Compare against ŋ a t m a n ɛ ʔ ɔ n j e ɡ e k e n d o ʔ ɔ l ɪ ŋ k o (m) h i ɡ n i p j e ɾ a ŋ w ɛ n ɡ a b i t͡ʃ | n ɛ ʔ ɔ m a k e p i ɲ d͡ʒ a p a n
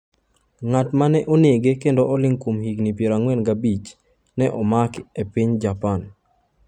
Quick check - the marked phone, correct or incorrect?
correct